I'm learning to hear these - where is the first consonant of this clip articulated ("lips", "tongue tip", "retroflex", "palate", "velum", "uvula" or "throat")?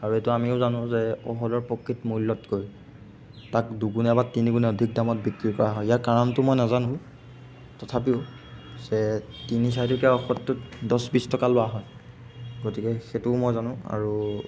tongue tip